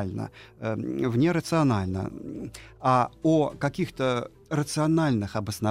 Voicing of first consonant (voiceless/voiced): voiced